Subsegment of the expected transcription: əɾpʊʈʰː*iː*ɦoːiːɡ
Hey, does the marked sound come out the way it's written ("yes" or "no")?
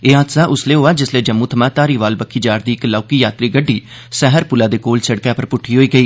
yes